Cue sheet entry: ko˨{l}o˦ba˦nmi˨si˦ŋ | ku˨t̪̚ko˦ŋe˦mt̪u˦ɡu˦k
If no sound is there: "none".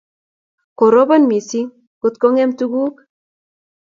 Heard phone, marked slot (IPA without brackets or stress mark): ɾ